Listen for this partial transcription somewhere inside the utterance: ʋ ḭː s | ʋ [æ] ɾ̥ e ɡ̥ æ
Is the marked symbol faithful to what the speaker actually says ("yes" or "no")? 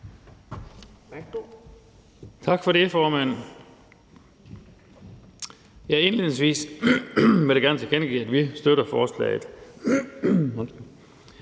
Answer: no